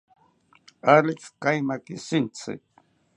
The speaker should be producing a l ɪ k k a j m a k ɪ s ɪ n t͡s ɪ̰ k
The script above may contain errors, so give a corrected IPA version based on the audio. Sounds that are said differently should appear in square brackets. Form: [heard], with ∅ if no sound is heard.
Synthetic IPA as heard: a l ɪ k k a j m a k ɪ s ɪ n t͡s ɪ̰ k